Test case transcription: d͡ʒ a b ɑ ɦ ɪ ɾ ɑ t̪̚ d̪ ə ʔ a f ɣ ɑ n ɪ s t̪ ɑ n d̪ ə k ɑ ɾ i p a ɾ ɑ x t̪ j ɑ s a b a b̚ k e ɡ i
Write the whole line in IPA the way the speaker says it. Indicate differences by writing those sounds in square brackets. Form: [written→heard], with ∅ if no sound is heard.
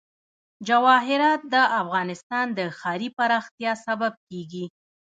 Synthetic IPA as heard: d͡ʒ a [b→w] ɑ ɦ ɪ ɾ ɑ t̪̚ d̪ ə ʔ a f ɣ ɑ n ɪ s t̪ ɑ n d̪ ə [k→x] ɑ ɾ i p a ɾ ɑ x t̪ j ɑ s a b a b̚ k e ɡ i